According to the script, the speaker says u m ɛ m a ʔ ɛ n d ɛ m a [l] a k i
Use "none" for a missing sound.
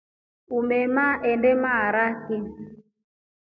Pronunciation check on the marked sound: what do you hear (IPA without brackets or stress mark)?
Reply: ɾ